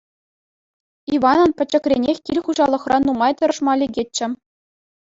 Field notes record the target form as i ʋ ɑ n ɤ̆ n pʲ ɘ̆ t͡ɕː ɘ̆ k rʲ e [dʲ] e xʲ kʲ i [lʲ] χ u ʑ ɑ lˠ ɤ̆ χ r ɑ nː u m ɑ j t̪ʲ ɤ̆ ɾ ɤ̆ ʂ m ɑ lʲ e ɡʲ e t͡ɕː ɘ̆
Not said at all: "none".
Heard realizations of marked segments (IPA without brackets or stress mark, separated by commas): nʲ, lʲ